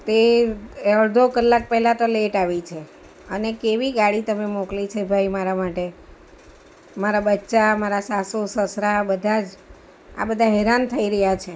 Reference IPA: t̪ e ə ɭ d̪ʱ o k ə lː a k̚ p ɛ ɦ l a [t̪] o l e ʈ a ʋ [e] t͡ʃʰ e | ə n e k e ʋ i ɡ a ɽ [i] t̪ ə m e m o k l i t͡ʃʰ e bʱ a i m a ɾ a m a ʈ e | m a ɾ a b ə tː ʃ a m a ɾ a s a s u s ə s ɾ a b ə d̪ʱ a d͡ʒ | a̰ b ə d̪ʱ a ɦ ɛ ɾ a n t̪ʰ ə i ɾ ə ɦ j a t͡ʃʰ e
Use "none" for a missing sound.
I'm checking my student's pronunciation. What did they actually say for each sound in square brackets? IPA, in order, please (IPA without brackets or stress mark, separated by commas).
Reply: t̪, i, i